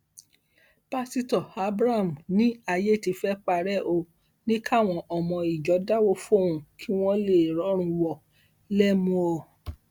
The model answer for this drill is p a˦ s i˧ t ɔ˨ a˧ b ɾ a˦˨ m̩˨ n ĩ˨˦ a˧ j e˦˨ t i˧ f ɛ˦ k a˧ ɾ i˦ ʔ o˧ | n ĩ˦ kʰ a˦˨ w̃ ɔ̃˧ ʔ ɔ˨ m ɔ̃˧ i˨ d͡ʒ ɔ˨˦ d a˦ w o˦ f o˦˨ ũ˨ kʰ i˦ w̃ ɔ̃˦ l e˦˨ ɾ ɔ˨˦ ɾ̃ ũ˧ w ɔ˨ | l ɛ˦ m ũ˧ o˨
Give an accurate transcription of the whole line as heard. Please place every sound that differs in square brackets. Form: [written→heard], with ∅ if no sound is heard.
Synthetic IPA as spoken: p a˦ s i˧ t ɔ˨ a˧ b ɾ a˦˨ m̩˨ n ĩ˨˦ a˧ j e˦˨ t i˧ f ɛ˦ [k→k͡p] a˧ ɾ [i˦→ɛ˦] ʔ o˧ | n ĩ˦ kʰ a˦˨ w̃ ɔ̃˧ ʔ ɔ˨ m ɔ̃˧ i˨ d͡ʒ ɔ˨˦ d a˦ w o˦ f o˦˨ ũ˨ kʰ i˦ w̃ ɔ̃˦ l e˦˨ ɾ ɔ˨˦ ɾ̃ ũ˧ w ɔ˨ | l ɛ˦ m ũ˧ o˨